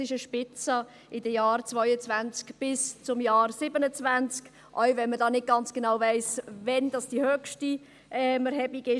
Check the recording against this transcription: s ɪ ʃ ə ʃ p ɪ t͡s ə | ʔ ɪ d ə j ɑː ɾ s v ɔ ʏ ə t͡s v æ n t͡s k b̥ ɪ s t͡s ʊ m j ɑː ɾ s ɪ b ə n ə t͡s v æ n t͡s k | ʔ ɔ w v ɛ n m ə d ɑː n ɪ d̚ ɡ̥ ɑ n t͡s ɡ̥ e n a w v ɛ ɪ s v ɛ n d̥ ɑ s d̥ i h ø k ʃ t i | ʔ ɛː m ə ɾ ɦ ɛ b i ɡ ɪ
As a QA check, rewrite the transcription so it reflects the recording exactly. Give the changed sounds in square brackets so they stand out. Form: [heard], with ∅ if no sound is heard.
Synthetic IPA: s ɪ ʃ ə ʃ p ɪ t͡s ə | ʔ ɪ d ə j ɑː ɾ [t͡s] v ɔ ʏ ə t͡s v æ n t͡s k b̥ ɪ s t͡s ʊ m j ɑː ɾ s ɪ b ə n ə t͡s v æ n t͡s k | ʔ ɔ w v ɛ n m ə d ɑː n ɪ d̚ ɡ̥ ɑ n t͡s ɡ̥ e n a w v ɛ ɪ s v ɛ n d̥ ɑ s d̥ i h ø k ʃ t i | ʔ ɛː m ə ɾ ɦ ɛ b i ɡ ɪ